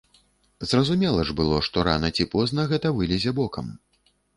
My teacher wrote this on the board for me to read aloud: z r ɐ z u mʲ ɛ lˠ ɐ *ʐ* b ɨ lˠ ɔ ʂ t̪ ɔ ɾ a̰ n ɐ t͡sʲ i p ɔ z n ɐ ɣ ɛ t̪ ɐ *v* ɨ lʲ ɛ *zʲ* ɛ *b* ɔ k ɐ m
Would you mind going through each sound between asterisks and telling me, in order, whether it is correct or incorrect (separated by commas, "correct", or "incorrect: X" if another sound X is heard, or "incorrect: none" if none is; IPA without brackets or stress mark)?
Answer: correct, correct, correct, correct